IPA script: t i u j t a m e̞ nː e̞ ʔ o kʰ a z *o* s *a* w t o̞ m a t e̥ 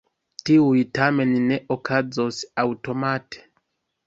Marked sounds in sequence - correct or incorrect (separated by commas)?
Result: correct, correct